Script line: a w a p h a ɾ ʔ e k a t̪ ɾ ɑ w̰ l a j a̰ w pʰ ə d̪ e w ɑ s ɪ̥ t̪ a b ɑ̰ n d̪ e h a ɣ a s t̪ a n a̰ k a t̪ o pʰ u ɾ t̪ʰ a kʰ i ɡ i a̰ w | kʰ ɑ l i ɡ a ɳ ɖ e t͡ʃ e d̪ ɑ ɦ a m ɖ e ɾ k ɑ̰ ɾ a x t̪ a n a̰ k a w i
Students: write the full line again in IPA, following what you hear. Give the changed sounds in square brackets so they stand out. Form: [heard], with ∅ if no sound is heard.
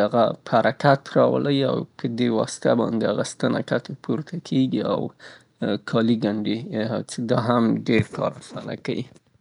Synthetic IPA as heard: a [ɣ] a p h a ɾ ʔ [a] k a t̪ ɾ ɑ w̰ l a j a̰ w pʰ ə d̪ e w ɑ s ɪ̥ t̪ a b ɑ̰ n d̪ e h a ɣ a s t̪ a n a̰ k a t̪ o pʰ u ɾ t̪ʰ a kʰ [e] ɡ i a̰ w | kʰ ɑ l i ɡ a ɳ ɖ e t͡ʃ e d̪ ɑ ɦ a m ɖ e ɾ k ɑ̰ ɾ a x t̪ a n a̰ k a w i